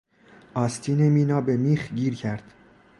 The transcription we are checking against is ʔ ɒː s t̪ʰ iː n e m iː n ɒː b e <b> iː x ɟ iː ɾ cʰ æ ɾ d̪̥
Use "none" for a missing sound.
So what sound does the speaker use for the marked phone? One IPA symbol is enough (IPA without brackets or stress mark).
m